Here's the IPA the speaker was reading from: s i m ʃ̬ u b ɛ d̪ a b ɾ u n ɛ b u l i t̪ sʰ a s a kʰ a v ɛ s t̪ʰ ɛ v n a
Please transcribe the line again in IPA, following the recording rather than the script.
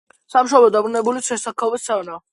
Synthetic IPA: s a m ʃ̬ ɔ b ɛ d̪ a b ɾ u n ɛ b u l i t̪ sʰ ɛ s a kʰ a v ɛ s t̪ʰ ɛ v n a